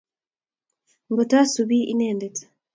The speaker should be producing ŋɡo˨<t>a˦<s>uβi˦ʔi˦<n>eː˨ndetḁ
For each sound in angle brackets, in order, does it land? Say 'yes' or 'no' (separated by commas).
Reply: yes, yes, yes